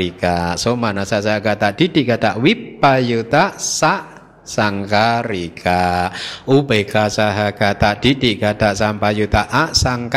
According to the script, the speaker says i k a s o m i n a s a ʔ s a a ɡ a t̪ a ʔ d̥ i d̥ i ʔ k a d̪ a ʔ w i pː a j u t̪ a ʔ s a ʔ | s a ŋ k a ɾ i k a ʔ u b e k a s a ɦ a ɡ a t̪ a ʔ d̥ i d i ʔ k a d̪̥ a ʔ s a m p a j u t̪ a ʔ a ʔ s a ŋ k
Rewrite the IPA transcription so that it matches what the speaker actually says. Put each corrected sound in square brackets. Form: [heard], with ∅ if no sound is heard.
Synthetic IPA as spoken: i k a s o m [a] n a s a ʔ s a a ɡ a t̪ a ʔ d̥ i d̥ i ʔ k a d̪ a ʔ w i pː a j u t̪ a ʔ s a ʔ | s a ŋ k a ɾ i k a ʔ u b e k a s a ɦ a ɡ a t̪ a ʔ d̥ i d i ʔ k a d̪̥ a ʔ s a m p a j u t̪ a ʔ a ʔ s a ŋ k